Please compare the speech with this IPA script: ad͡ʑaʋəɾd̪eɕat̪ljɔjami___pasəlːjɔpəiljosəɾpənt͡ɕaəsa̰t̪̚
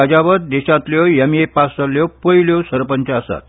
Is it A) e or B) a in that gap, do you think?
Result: A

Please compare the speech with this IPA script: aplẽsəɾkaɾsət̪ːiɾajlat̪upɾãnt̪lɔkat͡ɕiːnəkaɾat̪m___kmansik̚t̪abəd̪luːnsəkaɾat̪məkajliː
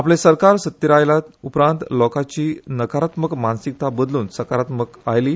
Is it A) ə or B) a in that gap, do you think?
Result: A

